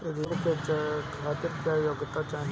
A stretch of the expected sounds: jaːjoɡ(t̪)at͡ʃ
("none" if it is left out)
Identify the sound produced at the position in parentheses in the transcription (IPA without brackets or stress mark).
t̪